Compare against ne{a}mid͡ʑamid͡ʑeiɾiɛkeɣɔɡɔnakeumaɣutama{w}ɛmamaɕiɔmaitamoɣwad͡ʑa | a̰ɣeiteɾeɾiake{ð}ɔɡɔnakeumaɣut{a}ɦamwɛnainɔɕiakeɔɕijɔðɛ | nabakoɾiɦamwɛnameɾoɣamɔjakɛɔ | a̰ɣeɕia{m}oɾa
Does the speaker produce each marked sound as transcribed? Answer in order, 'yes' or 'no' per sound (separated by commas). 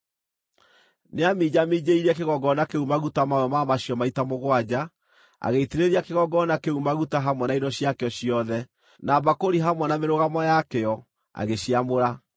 yes, yes, no, yes, yes